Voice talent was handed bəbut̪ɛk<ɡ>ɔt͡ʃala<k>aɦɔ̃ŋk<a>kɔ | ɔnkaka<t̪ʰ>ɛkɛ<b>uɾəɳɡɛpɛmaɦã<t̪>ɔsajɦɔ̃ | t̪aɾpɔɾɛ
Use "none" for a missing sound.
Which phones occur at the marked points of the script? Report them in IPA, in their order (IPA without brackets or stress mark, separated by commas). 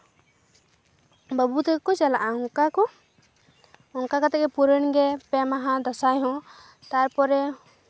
k, ʔ, a, t̪, p, d̪